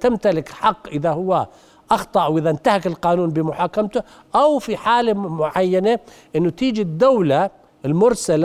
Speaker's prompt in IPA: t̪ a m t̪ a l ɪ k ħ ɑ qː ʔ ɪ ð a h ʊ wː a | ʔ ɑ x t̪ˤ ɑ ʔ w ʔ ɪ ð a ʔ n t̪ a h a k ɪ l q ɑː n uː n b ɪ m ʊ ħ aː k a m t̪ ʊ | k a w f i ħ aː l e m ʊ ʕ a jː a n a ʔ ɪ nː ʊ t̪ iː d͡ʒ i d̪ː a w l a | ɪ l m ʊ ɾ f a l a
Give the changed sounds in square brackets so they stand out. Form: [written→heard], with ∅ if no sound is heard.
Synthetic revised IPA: t̪ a m t̪ a l ɪ k ħ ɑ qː ʔ ɪ ð a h ʊ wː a | ʔ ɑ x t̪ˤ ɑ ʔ w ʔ ɪ ð a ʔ n t̪ a h a k ɪ l q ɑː n uː n b ɪ m ʊ ħ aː k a m t̪ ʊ | [k→ʔ] a w f i ħ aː l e m ʊ ʕ a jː a n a ʔ ɪ nː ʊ t̪ iː d͡ʒ i d̪ː a w l a | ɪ l m ʊ ɾ [f→s] a l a